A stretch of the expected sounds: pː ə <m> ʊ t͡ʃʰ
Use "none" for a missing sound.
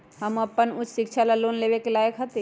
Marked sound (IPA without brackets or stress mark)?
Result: n